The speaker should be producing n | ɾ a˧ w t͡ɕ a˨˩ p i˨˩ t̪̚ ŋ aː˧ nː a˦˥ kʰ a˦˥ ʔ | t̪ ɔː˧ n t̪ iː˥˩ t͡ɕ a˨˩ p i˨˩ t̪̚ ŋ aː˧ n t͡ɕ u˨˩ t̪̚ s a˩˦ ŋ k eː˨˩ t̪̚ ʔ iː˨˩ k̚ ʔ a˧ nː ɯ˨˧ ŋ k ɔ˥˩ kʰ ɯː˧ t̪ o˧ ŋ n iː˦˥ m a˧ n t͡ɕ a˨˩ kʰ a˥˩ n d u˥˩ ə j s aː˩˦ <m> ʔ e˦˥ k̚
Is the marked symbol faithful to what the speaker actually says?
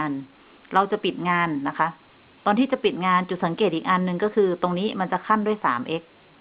yes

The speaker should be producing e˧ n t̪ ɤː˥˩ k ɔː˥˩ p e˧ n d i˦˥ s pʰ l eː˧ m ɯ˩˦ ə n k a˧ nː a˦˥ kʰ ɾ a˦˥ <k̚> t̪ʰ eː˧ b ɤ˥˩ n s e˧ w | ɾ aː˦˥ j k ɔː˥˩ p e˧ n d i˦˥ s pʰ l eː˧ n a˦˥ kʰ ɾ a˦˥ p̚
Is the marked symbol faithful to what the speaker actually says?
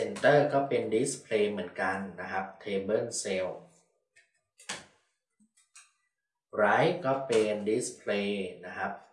no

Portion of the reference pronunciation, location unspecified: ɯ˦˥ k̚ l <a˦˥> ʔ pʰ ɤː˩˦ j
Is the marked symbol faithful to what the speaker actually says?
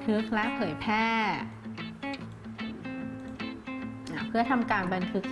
no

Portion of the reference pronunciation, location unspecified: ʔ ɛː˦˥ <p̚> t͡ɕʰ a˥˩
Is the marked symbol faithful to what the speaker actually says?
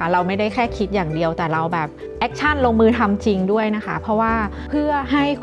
no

